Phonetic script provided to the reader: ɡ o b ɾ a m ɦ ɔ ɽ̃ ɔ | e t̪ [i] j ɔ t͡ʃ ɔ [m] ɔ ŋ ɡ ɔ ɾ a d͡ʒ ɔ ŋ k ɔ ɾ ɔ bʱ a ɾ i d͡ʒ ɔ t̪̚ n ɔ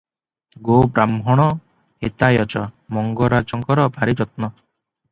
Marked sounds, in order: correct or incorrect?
incorrect: a, correct

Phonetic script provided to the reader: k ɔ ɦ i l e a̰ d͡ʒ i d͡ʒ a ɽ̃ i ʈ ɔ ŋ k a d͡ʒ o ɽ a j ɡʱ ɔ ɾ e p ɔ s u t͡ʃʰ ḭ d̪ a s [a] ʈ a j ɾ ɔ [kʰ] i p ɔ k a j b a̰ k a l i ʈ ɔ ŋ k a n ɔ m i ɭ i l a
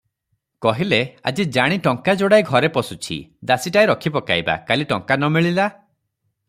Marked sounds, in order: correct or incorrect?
incorrect: i, correct

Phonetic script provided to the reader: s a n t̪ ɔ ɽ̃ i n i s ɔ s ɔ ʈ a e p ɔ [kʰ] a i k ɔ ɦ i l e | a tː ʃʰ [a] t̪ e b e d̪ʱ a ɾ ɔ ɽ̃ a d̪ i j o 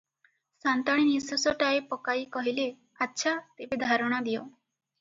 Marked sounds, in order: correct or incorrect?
incorrect: k, correct

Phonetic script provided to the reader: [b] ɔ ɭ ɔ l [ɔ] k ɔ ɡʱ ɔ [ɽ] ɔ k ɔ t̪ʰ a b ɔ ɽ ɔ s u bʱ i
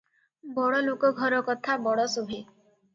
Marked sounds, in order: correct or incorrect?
correct, incorrect: o, incorrect: ɾ

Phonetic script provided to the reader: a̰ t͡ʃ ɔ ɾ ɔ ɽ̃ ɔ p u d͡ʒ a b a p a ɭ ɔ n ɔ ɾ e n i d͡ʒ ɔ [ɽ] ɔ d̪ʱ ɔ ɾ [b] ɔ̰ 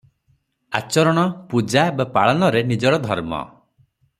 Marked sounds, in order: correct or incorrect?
correct, incorrect: m

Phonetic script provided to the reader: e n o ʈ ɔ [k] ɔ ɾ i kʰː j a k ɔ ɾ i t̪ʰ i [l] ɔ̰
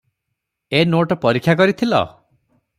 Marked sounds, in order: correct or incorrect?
incorrect: p, correct

